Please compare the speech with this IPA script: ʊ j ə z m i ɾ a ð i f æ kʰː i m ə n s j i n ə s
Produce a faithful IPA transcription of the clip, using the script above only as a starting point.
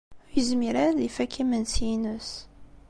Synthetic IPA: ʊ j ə z m i ɾ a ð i f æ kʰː i m ə n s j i n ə s